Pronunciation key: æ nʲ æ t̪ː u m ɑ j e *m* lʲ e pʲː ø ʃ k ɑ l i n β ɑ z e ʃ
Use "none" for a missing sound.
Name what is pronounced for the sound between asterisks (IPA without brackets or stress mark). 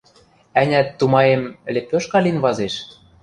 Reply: m